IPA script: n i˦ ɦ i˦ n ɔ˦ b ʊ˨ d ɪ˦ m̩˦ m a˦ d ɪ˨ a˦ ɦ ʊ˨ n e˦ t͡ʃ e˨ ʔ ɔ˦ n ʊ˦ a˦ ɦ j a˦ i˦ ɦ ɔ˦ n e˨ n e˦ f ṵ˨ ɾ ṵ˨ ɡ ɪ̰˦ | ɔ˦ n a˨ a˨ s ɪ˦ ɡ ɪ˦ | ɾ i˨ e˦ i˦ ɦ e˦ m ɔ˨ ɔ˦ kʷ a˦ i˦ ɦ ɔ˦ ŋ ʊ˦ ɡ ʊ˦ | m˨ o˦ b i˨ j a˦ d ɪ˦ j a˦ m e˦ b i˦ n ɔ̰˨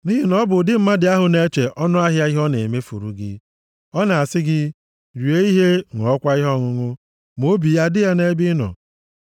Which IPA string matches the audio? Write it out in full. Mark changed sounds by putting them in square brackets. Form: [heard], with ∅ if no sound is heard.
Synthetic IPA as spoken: n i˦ ɦ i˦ n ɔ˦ b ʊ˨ d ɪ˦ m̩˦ m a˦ d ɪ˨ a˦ ɦ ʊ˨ n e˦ t͡ʃ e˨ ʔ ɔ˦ n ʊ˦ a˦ ɦ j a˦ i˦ ɦ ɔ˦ n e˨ [m] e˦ f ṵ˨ ɾ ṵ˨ ɡ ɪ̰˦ | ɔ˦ n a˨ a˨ s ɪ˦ ɡ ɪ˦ | ɾ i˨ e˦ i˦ ɦ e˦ [ŋ] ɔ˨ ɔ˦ kʷ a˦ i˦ ɦ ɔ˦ ŋ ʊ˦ [ŋ] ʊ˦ | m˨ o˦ b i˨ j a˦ d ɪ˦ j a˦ [n] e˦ b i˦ n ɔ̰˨